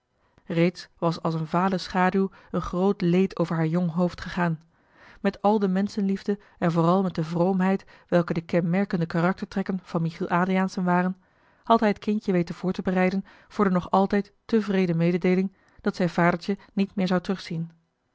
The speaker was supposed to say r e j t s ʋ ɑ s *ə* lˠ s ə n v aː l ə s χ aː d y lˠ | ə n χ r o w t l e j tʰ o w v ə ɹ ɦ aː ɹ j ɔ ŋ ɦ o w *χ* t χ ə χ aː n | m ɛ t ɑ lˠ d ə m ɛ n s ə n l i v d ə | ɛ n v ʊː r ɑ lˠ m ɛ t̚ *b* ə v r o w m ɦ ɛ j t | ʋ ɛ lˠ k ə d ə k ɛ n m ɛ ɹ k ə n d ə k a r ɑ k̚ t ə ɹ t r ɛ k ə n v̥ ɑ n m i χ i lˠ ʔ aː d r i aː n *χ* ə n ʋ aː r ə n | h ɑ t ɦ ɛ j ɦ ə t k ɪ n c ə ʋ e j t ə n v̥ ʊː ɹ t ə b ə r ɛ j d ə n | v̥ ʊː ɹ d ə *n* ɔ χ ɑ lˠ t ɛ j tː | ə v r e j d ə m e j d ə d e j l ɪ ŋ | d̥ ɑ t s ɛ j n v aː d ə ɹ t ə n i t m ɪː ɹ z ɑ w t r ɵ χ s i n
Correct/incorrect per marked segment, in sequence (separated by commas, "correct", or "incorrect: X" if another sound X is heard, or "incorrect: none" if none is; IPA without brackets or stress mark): incorrect: ɑ, incorrect: f, incorrect: d, incorrect: s, correct